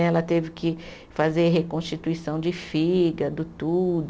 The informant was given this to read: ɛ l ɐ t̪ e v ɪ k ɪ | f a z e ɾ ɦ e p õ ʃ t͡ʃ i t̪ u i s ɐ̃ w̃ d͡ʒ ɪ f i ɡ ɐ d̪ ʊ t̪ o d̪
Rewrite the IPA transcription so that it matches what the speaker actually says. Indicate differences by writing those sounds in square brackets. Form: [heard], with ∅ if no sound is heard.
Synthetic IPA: ɛ l ɐ t̪ e v ɪ k ɪ | f a z e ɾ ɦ e [k] õ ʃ t͡ʃ i t̪ u i s ɐ̃ w̃ d͡ʒ ɪ f i ɡ ɐ d̪ ʊ t̪ [u] d̪

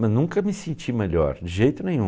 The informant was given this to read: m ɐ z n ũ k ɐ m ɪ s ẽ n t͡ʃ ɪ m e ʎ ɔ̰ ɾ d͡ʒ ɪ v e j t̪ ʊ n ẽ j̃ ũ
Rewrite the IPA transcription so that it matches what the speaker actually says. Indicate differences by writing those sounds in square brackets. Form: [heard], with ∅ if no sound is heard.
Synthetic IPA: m ɐ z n ũ k ɐ m ɪ s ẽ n t͡ʃ [i] m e ʎ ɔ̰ ɾ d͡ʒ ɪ [ʒ] e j t̪ ʊ n ẽ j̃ ũ

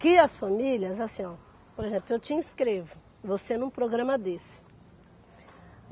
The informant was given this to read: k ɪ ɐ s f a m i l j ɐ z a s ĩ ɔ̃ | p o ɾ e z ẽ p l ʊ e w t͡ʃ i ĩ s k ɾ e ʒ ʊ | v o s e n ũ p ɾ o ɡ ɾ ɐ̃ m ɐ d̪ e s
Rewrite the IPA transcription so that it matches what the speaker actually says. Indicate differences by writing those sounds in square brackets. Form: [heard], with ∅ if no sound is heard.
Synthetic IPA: k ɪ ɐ s f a m i l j ɐ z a s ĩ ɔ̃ | p o ɾ e z ẽ p l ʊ e w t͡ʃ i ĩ s k ɾ e [v] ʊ | v o s e n ũ p ɾ o ɡ ɾ ɐ̃ m ɐ d̪ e s

